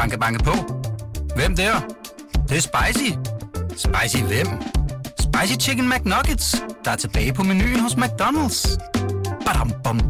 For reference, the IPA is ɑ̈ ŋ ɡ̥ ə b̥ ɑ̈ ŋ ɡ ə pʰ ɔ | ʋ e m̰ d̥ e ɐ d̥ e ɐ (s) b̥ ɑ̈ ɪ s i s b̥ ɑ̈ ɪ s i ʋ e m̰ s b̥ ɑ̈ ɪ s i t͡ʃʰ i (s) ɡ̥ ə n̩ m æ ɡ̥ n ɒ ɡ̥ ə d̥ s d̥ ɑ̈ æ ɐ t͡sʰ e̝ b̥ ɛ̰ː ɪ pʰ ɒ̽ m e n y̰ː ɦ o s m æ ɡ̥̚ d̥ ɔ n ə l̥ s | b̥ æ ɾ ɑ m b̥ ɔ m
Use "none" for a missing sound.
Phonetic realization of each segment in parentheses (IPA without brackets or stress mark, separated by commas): s, none